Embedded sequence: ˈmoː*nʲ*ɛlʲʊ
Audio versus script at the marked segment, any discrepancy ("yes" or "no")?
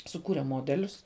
yes